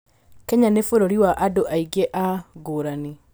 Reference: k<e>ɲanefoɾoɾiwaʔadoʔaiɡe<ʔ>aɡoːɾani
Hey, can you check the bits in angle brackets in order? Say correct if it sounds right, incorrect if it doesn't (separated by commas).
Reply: incorrect, correct